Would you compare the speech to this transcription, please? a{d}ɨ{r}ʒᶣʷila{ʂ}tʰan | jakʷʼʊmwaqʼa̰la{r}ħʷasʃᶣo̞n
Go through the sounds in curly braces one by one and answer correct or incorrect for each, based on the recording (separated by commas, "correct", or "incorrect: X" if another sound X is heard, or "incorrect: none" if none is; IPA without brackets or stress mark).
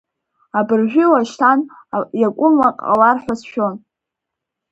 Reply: incorrect: b, correct, incorrect: ʃ, correct